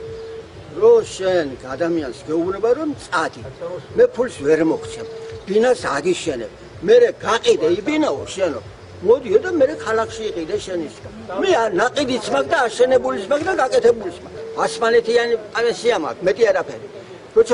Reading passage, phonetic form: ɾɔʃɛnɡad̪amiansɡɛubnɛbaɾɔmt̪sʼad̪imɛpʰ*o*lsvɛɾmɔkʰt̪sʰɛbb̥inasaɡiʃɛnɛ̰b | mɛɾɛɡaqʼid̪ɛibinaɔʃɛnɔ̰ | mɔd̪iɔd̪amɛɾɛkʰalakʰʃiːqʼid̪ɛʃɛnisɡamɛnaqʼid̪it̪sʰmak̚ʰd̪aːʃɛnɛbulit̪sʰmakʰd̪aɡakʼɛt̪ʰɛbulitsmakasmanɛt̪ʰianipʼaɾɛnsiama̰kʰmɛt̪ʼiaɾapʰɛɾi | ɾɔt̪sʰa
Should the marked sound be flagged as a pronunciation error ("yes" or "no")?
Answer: yes